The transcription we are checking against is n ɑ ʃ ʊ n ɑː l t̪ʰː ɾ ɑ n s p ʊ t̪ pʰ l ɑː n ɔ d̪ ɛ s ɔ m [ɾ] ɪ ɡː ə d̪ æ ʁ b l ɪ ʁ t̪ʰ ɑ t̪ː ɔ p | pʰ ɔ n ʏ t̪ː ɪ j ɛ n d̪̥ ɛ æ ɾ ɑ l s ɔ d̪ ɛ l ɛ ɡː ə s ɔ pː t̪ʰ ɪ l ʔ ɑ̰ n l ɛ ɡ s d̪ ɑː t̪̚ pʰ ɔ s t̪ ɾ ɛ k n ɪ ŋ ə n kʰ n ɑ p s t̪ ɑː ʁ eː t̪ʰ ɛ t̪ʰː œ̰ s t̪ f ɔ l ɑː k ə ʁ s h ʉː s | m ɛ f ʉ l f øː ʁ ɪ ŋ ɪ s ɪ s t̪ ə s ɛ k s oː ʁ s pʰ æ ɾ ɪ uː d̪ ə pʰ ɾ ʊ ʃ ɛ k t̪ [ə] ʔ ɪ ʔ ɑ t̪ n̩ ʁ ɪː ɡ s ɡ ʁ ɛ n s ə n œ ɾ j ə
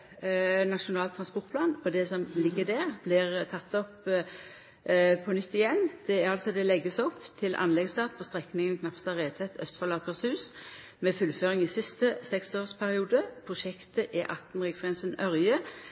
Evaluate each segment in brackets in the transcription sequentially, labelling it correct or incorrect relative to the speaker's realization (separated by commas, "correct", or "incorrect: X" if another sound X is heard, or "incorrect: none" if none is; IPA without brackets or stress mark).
incorrect: l, correct